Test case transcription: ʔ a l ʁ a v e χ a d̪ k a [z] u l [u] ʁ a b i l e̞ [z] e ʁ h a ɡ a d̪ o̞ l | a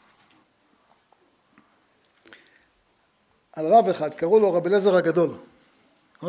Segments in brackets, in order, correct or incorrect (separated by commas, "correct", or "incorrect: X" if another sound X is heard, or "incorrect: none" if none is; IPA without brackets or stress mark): incorrect: ʁ, incorrect: o, correct